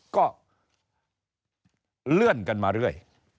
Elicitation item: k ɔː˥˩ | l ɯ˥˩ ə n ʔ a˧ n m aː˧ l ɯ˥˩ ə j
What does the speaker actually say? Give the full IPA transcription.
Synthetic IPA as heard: k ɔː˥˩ | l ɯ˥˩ ə n k a˧ n m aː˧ ɾ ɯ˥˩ ə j

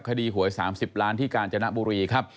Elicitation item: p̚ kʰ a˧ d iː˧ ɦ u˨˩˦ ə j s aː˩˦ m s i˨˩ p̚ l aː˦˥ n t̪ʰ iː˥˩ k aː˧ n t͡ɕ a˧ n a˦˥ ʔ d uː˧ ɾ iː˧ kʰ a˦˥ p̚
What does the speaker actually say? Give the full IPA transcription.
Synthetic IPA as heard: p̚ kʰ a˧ d iː˧ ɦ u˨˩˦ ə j s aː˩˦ m s i˨˩ p̚ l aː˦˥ n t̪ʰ iː˥˩ k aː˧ n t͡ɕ a˧ n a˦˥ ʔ b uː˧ ɾ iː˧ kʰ a˦˥ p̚

